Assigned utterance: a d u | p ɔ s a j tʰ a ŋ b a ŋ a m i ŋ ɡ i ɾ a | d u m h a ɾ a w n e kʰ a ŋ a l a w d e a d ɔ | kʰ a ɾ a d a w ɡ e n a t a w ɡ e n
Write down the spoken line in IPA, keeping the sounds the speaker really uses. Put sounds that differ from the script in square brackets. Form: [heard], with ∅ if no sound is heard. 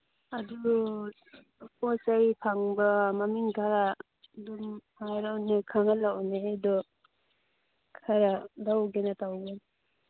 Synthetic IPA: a d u | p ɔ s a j [pʰ] a ŋ b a [m] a m i ŋ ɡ [a] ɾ a | d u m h a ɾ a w n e kʰ a ŋ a l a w [n] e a d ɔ | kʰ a ɾ a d a w ɡ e n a t a w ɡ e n

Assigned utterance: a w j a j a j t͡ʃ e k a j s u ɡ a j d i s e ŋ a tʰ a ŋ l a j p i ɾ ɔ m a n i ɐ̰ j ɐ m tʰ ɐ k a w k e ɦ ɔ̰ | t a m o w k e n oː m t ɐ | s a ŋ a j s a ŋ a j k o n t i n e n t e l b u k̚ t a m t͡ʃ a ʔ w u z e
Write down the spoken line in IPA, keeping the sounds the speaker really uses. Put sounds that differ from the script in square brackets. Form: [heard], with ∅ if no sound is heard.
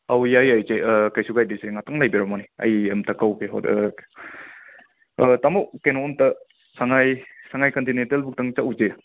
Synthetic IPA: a w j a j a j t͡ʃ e k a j s u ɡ a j d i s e ŋ a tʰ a ŋ l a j [b] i ɾ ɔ m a n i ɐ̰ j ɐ m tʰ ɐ k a w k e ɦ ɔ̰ | t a m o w k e n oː m t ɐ | s a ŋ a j s a ŋ a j k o n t i n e n t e l b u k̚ t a [ŋ] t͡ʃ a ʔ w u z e

